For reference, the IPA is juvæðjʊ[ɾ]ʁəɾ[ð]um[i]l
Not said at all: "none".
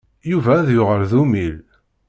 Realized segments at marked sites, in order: none, ð, i

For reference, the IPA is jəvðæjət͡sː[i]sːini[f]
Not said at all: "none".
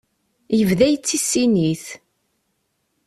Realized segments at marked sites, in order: i, θ

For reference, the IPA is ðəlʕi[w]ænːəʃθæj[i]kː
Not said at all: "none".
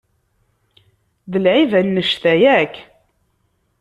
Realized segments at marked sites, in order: v, æ

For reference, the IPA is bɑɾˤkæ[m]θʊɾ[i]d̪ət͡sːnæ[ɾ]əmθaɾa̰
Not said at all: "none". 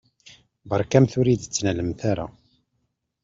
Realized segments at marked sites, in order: m, i, l

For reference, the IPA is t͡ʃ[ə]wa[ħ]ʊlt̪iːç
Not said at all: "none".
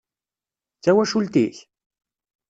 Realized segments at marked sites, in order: a, ʃ

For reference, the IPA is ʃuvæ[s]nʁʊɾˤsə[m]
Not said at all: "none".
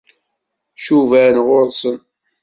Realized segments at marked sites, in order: none, n

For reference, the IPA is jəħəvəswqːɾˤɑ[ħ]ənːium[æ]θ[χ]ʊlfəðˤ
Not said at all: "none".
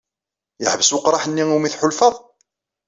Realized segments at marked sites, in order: ħ, i, ħ

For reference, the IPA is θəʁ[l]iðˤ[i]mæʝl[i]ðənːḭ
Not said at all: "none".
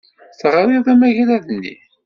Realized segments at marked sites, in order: ɾ, æ, æ

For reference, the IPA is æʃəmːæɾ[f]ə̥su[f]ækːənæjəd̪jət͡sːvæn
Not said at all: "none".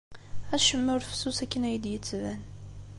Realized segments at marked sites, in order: f, s

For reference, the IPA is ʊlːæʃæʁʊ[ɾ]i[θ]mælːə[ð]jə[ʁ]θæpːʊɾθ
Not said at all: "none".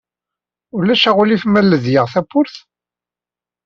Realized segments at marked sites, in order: l, f, ð, ʁ

